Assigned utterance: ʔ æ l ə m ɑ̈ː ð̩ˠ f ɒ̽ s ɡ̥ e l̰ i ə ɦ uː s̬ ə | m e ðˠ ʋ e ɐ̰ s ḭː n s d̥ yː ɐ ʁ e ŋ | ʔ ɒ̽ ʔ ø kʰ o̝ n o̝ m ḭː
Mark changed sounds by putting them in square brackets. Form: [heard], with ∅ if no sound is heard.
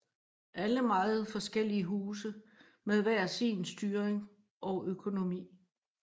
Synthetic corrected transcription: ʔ æ l ə m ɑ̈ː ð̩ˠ f ɒ̽ s ɡ̥ e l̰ i ə ɦ uː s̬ ə | m e ðˠ ʋ [æ] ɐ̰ s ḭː n s d̥ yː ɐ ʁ e ŋ | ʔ ɒ̽ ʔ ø kʰ o̝ n o̝ m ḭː